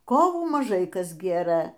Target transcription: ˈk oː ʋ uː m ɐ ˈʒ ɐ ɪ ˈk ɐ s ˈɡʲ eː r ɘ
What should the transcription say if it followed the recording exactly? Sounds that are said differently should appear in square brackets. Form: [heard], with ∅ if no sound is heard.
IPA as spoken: ˈk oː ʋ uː m ɐ ˈʒ ɐ ɪ ˈk ɐ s ˈɡʲ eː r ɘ